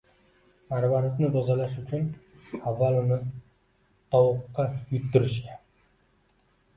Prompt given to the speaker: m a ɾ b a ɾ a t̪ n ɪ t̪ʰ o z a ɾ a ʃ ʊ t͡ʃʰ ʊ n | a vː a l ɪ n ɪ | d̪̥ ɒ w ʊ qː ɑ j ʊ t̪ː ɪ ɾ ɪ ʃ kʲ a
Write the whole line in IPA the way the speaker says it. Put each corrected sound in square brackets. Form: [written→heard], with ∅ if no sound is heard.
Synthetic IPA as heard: m a ɾ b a ɾ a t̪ n ɪ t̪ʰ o z a [ɾ→l] a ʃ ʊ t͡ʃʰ ʊ n | a vː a l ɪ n ɪ | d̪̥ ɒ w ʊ qː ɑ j ʊ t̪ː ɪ ɾ ɪ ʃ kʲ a